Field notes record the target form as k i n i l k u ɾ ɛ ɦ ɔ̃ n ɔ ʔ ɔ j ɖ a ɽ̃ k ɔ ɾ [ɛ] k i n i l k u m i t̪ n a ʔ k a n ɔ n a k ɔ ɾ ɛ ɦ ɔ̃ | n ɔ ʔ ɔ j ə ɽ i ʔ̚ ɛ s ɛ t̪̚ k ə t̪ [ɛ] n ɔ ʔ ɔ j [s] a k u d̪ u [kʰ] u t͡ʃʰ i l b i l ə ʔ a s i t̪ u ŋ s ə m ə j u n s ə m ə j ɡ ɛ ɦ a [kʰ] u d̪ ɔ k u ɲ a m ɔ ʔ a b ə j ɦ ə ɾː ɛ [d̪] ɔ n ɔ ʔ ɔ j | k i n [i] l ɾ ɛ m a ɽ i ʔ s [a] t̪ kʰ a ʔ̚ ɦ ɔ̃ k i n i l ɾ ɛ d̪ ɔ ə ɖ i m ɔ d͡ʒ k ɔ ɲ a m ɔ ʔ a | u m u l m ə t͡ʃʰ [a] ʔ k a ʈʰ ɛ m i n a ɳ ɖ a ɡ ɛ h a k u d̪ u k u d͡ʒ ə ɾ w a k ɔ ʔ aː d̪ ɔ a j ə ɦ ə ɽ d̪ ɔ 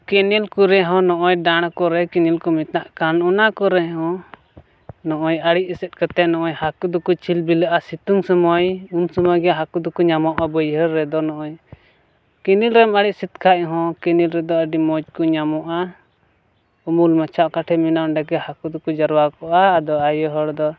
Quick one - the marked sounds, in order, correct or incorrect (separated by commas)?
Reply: correct, correct, incorrect, incorrect, incorrect, correct, correct, incorrect, correct